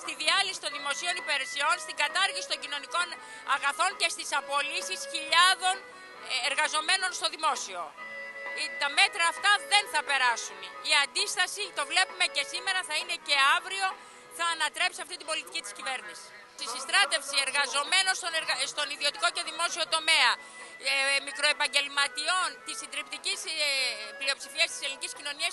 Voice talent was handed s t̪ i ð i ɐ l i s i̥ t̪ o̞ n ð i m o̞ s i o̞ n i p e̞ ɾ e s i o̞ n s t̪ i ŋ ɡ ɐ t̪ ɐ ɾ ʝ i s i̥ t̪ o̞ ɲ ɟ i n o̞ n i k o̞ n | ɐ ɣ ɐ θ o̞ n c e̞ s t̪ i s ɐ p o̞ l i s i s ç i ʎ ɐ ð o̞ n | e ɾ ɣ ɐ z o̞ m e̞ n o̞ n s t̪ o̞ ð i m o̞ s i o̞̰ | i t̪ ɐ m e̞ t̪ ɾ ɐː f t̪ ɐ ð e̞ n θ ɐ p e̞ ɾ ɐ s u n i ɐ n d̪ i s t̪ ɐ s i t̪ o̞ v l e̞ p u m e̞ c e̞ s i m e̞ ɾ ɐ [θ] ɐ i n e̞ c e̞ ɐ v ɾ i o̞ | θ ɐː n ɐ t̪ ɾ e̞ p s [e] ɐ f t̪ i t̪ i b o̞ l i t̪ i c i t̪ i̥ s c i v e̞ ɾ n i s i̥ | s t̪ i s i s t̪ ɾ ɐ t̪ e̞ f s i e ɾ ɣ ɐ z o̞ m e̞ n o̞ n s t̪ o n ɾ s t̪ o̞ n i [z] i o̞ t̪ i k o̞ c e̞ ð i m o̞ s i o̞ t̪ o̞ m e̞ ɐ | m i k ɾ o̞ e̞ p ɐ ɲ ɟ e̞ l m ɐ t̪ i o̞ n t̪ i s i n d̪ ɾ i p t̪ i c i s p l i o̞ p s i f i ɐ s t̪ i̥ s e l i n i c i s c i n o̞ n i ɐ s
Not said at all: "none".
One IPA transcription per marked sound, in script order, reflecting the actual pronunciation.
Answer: θ, i, ð

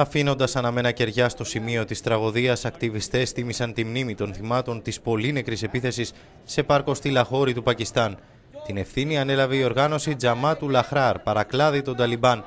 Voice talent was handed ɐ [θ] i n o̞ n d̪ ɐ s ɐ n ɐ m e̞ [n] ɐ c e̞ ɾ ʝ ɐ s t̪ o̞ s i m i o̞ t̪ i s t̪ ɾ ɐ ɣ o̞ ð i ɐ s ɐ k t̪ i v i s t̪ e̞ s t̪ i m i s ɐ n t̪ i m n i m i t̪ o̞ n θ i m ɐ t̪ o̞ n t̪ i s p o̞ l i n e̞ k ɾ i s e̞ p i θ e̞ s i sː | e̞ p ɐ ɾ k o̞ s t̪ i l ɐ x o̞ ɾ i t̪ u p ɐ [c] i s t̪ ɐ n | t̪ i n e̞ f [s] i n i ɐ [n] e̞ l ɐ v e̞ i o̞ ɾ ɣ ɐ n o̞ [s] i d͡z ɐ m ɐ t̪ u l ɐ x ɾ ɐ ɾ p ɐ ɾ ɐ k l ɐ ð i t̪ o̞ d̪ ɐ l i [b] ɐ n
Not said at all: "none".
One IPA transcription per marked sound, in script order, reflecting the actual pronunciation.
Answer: f, n, c, θ, n, s, b

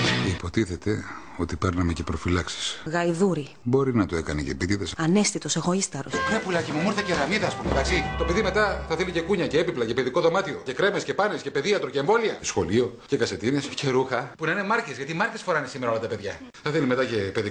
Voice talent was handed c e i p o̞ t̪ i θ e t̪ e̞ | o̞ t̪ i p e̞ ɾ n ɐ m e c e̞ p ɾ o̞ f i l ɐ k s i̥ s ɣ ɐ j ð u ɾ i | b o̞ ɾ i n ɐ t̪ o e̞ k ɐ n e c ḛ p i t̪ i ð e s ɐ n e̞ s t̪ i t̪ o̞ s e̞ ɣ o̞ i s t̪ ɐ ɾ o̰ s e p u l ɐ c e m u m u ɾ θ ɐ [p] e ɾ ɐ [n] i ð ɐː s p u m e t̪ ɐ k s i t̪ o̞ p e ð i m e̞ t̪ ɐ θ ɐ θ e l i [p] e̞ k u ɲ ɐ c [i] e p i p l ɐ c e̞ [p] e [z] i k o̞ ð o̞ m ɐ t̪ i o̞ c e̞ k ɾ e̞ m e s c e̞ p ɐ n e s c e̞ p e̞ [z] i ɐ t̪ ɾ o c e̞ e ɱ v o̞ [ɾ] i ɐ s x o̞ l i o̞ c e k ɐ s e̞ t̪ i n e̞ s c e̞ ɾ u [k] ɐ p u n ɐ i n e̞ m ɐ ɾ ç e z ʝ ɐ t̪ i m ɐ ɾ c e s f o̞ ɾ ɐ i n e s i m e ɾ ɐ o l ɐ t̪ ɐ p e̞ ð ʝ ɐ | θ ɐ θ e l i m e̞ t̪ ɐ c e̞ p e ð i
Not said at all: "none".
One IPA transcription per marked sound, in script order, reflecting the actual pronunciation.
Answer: c, m, c, e, p, ð, ð, l, x

